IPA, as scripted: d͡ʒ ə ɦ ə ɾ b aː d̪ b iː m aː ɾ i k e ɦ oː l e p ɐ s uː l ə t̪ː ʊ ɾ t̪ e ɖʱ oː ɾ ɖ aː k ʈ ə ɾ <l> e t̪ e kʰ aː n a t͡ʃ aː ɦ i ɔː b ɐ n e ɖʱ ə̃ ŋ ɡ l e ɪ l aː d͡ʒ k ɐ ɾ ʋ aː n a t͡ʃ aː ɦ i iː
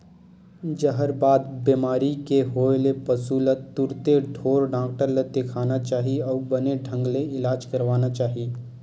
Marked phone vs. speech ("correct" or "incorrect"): correct